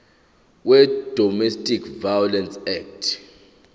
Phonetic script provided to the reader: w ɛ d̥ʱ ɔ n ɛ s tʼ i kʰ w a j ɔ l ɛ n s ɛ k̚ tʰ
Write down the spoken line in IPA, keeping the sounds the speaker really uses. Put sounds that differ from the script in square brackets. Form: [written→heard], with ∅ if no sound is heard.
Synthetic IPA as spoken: w ɛ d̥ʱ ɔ [n→m] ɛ s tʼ i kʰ [w→v] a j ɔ l ɛ n s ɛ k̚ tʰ